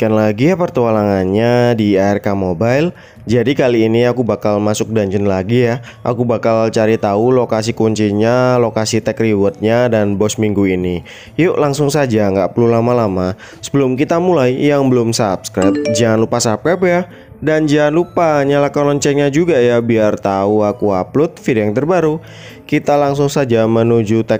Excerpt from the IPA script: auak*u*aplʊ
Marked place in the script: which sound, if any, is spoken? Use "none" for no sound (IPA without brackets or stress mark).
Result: u